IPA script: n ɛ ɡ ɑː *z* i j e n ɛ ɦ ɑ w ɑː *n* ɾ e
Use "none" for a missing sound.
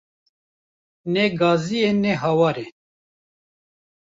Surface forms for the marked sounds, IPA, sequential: z, none

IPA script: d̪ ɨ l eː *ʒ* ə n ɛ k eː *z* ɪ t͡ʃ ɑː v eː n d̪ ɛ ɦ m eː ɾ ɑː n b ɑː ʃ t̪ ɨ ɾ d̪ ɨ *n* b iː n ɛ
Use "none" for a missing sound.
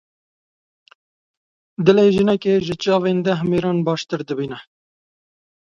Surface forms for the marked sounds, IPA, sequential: ʒ, ʒ, none

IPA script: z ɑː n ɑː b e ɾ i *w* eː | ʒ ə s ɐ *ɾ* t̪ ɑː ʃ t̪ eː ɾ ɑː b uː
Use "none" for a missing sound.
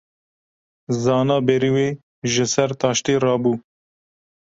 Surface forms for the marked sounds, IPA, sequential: w, ɾ

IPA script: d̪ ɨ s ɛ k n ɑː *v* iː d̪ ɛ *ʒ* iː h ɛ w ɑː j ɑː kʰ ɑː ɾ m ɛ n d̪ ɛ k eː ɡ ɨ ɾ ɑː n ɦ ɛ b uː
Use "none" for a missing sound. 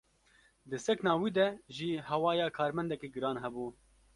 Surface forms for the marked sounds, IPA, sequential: w, ʒ

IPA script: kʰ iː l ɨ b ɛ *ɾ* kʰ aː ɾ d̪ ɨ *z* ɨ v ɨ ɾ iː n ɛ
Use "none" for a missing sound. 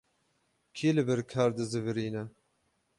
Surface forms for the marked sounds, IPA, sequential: ɾ, z

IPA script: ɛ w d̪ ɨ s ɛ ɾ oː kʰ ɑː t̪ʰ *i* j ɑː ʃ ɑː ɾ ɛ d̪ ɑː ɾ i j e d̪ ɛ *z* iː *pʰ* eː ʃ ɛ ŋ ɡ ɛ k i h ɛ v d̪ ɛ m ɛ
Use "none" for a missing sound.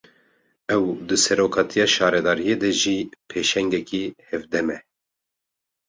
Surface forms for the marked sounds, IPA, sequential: i, ʒ, pʰ

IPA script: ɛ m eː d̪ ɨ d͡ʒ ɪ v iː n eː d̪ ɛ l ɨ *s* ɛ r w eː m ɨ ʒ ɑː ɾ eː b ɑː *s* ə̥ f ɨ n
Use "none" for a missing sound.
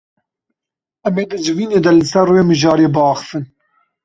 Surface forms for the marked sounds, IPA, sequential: s, x

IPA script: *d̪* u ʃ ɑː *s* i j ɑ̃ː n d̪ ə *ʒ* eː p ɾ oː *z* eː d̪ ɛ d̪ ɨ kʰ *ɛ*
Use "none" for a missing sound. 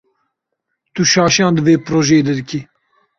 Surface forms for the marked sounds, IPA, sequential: t̪, ʃ, v, ʒ, i

